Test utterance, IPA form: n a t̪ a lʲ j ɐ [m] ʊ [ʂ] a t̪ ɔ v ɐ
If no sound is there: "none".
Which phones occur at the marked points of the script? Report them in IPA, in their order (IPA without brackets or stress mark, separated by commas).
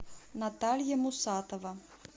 m, s